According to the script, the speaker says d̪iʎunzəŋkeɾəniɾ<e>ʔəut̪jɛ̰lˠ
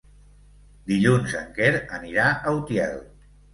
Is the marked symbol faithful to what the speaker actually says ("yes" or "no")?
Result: no